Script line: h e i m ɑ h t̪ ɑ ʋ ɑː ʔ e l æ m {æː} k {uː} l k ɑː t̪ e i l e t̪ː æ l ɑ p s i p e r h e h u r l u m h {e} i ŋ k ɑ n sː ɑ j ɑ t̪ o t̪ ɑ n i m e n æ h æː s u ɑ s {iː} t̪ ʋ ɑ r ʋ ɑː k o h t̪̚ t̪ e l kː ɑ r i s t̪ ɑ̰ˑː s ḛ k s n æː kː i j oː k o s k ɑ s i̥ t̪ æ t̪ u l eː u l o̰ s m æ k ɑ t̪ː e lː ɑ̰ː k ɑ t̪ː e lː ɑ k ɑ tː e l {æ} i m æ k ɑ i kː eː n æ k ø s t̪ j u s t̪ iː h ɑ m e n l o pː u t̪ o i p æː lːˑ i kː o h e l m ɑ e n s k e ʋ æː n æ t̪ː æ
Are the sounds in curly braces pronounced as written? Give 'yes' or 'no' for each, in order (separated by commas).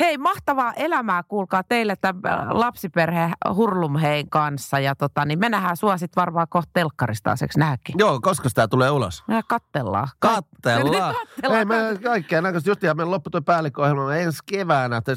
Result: yes, yes, yes, no, no